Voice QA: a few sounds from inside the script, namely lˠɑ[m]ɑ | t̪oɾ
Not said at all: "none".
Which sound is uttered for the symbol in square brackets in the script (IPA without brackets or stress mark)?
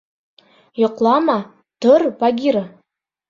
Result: m